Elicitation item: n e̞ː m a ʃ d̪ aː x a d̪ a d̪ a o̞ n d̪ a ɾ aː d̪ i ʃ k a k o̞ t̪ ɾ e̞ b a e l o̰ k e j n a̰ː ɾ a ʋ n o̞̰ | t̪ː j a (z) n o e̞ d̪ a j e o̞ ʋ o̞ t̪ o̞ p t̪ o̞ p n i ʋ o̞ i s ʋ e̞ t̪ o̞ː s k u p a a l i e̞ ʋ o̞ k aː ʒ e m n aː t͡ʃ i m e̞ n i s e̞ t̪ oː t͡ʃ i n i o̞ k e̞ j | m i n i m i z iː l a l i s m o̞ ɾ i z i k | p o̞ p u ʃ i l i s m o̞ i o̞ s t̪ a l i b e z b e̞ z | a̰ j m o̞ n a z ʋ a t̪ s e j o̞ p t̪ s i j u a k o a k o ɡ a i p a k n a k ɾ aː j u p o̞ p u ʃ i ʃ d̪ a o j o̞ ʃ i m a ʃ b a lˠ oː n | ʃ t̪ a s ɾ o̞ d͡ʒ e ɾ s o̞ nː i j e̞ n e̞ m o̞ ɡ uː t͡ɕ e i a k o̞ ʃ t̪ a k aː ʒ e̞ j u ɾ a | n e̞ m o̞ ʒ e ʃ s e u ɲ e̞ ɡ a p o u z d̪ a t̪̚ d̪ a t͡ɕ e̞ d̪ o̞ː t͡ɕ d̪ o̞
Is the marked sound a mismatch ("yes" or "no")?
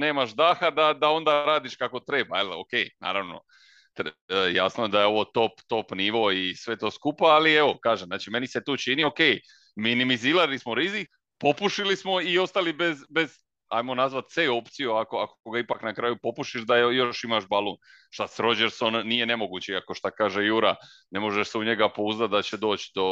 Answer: yes